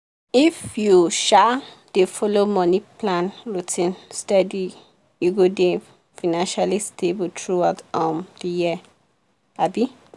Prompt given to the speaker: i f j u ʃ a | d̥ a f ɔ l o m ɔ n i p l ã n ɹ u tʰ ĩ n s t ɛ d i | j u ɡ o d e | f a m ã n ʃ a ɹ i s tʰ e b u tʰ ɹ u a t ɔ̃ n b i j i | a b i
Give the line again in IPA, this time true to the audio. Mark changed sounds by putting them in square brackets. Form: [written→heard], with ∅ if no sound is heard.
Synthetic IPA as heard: i f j u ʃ a | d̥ [a→e] f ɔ l o m ɔ n i p l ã n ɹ u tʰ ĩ n s t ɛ d i | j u ɡ o d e | f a [m→n] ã n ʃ a [ɹ→l] i s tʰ e b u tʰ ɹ u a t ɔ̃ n [b→d] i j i | a b i